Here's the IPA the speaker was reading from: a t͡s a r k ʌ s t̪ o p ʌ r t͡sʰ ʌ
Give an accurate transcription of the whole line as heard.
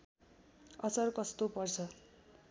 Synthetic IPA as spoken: ʌ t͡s ʌ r k ʌ s t̪ o p ʌ r t͡sʰ ʌ